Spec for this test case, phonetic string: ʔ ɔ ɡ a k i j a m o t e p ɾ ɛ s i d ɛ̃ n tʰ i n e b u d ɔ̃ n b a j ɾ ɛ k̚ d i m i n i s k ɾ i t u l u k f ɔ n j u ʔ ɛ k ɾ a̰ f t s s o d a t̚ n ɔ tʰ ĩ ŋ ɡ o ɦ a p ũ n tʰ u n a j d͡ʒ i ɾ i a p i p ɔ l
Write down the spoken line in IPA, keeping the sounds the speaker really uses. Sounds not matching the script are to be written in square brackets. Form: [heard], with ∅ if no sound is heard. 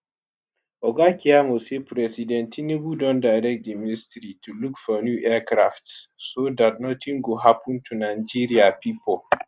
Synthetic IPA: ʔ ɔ ɡ a k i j a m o [s] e p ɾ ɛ s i d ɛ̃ n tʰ i n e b u d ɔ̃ n [d] a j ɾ ɛ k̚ d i m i n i s [t] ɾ i t u l u k f ɔ n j u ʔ ɛ k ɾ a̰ f t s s o d a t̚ n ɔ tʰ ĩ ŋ ɡ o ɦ a p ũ n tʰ u n a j d͡ʒ i ɾ i a p i p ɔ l